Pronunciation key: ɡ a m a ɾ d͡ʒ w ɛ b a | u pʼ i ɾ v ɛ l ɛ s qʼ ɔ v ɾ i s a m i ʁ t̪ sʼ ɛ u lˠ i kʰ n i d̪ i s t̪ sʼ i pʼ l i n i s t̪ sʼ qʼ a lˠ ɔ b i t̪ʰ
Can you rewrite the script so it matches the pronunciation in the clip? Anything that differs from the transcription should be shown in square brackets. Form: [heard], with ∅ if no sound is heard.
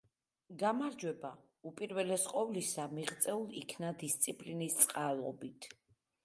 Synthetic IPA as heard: ɡ a m a ɾ d͡ʒ w ɛ b a | u pʼ i ɾ v ɛ l ɛ s qʼ ɔ v [l] i s a m i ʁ t̪ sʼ ɛ u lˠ i kʰ n [a] d̪ i s t̪ sʼ i pʼ l i n i s t̪ sʼ qʼ a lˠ ɔ b i t̪ʰ